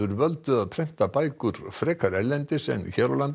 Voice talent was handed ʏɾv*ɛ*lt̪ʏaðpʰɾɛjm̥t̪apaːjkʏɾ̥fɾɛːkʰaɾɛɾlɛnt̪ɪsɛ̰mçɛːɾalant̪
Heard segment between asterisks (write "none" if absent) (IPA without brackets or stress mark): œ